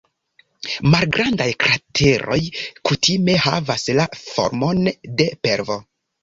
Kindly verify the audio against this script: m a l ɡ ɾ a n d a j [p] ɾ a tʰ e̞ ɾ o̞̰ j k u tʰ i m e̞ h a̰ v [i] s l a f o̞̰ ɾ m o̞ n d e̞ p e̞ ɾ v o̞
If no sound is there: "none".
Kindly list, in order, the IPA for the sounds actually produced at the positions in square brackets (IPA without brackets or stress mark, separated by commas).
k, a